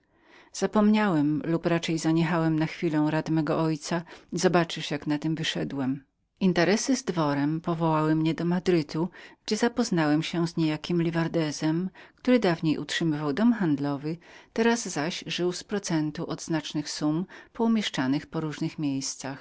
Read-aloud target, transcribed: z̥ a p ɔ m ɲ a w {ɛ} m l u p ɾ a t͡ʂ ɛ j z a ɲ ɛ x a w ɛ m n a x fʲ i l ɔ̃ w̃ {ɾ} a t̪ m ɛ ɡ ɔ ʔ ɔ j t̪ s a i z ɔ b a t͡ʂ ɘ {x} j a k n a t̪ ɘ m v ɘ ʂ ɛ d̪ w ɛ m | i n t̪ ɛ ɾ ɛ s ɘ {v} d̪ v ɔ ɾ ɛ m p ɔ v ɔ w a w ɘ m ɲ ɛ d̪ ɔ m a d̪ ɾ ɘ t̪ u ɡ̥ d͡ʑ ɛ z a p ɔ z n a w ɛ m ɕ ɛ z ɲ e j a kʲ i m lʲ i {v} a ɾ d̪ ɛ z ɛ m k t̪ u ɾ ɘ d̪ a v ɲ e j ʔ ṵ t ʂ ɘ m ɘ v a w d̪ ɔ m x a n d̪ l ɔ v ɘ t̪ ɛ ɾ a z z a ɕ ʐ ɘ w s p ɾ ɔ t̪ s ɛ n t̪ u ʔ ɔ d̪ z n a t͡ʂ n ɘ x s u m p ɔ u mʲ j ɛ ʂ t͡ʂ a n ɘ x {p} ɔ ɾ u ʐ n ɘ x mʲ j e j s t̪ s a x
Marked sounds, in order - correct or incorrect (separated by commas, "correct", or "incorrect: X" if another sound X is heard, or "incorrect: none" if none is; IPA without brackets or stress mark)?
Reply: correct, correct, incorrect: ʂ, incorrect: z, correct, correct